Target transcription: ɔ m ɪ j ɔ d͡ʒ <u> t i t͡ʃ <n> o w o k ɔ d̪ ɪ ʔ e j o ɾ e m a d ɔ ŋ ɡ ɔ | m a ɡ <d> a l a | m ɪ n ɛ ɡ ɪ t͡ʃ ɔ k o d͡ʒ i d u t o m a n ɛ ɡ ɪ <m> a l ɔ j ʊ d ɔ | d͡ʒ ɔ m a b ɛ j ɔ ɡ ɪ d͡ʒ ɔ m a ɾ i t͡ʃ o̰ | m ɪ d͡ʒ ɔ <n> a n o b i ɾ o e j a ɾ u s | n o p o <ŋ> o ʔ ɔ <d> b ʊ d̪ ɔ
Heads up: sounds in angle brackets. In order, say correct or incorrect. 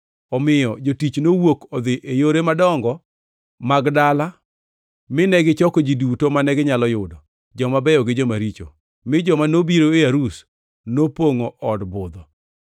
incorrect: o, correct, correct, incorrect: ɲ, incorrect: m, correct, correct

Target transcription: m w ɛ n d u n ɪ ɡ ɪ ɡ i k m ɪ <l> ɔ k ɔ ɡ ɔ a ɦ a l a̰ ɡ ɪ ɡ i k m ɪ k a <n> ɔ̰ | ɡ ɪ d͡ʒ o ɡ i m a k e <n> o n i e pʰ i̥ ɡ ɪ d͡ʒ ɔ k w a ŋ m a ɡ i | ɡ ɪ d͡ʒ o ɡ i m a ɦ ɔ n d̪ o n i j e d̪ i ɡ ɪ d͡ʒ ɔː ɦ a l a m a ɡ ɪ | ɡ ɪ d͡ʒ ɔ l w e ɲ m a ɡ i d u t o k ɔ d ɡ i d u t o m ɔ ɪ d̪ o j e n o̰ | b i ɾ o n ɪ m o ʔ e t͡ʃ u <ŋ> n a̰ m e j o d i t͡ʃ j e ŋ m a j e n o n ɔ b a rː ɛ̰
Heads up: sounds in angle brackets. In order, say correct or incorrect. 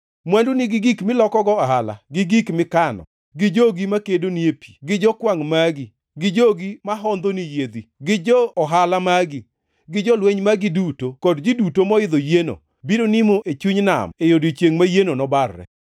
correct, correct, incorrect: d, incorrect: ɲ

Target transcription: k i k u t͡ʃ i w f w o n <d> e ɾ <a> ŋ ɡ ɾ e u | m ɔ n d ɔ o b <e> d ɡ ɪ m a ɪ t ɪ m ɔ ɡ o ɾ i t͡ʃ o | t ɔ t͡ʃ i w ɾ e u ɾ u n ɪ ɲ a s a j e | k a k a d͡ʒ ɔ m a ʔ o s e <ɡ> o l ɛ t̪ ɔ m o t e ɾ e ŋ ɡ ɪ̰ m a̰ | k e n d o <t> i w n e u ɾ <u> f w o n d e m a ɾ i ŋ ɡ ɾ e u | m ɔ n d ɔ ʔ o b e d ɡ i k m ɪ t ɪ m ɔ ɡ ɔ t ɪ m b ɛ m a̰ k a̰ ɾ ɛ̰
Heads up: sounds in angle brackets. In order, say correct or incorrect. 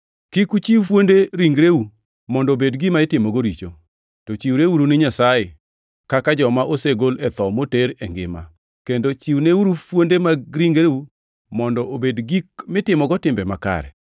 correct, incorrect: i, correct, correct, incorrect: t͡ʃ, correct

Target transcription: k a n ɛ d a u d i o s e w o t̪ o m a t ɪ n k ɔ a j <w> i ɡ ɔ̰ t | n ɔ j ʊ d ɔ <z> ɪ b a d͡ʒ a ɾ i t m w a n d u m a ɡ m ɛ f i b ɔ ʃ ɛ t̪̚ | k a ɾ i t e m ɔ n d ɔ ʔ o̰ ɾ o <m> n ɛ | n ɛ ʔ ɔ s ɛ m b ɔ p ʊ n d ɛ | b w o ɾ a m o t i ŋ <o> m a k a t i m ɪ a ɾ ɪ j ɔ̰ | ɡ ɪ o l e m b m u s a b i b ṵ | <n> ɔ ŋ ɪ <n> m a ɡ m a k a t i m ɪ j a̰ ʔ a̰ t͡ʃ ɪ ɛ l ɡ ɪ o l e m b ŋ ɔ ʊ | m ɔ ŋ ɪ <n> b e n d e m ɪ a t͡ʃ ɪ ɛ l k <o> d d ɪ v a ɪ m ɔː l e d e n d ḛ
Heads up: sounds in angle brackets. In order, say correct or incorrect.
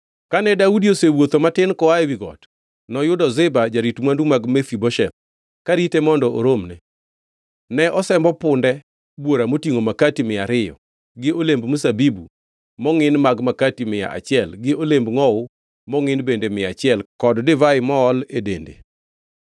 correct, correct, correct, correct, incorrect: m, correct, correct, incorrect: ɔ

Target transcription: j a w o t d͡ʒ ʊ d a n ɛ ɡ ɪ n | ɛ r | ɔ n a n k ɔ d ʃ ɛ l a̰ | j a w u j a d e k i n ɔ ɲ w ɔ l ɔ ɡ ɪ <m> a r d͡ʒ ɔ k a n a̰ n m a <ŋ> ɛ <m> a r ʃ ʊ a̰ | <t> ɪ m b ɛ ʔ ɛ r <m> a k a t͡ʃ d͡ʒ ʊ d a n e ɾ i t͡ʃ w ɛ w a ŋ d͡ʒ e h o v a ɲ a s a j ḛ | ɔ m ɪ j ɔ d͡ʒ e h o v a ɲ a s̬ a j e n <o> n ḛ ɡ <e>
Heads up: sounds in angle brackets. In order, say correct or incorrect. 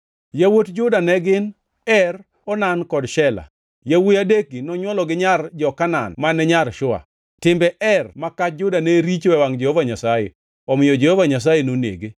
incorrect: ɲ, incorrect: n, incorrect: ɲ, correct, correct, correct, correct

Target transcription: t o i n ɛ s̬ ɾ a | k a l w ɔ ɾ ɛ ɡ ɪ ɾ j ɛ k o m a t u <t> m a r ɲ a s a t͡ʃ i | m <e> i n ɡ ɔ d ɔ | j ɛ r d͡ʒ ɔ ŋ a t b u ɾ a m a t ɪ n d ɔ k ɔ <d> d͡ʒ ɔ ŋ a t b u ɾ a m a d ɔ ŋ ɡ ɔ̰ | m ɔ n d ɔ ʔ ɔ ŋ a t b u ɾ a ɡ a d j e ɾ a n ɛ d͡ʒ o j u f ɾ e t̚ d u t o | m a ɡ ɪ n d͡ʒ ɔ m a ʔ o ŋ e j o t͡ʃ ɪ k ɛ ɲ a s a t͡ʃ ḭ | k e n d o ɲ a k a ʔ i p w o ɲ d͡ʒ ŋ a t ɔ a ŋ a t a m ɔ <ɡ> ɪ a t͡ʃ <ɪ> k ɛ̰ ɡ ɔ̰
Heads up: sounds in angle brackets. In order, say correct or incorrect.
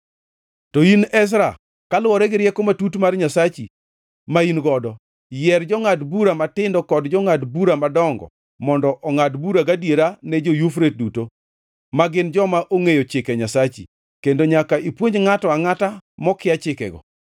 correct, incorrect: a, correct, incorrect: k, correct

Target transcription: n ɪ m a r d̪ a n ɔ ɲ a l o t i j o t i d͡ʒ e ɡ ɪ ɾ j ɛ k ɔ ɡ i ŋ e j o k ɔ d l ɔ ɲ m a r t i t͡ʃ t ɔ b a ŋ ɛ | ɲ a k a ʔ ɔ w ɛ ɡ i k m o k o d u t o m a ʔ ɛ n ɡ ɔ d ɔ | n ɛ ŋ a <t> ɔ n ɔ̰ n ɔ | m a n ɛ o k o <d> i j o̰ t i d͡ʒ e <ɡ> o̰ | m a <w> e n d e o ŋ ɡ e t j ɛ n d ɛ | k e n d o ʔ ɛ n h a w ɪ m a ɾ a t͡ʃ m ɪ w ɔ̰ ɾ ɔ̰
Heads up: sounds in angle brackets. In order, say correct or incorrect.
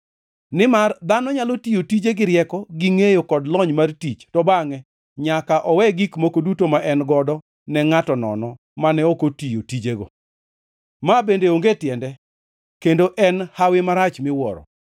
correct, incorrect: t, correct, incorrect: b

